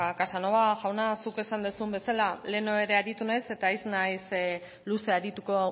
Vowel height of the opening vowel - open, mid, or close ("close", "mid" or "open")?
open